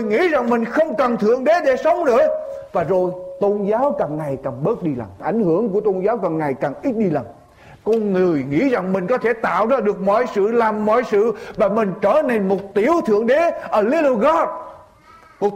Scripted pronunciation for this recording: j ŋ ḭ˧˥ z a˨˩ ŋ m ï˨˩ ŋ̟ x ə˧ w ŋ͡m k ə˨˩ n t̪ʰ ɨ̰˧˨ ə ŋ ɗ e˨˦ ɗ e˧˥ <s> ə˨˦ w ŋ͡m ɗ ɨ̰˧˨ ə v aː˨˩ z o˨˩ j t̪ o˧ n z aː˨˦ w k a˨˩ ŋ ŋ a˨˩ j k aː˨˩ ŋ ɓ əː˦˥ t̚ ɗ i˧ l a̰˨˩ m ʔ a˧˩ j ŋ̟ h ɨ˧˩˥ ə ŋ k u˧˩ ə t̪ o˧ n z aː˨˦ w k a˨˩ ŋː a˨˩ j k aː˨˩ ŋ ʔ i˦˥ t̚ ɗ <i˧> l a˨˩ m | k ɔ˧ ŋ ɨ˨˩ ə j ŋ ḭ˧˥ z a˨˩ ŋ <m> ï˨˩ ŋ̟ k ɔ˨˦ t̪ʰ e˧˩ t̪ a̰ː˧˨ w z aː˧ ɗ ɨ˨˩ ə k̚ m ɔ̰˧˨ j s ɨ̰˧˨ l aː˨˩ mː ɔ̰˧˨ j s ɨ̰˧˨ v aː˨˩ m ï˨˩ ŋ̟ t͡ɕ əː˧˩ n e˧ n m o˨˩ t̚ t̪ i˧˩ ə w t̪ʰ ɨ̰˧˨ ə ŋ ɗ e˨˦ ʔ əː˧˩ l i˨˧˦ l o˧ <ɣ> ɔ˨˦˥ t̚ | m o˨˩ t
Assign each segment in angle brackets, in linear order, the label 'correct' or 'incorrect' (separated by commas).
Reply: correct, correct, correct, correct